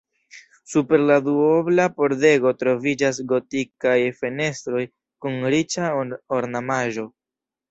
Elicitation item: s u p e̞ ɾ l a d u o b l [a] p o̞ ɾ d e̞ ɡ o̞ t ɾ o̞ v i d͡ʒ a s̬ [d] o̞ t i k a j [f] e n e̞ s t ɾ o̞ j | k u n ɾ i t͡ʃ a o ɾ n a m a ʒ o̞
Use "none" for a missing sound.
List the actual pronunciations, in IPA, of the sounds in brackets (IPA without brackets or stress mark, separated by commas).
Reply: a, ɡ, f